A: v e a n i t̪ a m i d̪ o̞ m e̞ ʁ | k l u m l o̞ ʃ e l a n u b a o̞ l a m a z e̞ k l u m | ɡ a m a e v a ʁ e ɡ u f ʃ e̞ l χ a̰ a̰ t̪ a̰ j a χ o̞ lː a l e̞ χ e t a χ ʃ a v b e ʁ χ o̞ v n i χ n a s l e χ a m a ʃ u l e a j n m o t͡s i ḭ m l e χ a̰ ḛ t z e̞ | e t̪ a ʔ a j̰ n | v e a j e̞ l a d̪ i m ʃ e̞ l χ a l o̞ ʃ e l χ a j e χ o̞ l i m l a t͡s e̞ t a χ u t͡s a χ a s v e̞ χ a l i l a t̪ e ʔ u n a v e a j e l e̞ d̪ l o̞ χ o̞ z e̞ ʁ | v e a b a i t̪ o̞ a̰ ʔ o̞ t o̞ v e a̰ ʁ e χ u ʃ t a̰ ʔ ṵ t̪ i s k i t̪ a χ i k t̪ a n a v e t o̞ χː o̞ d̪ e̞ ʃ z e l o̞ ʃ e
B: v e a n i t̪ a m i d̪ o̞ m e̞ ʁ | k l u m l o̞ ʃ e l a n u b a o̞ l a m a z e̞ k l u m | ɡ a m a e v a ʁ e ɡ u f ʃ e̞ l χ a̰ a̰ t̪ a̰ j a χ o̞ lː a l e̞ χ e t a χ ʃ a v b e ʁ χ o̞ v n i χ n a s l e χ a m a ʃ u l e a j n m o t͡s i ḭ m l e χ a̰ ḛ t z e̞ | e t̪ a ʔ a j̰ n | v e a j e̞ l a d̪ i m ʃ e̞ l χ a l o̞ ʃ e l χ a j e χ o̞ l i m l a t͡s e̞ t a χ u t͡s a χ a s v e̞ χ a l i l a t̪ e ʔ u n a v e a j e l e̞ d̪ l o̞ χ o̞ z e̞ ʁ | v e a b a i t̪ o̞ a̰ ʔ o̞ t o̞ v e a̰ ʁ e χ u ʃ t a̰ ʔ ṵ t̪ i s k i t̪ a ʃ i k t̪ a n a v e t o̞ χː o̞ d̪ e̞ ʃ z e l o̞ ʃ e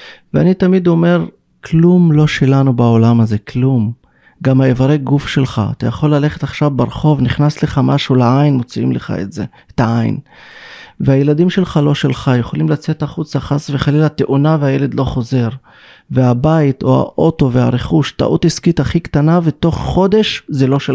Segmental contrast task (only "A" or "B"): A